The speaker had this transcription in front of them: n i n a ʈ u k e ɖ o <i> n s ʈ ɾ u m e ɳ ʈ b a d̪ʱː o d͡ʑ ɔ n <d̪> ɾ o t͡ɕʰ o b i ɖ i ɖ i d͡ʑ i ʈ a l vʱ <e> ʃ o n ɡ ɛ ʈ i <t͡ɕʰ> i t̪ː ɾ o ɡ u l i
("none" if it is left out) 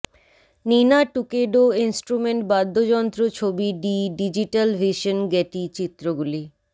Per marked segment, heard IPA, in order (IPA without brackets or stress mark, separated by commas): i, t̪, i, t͡ɕ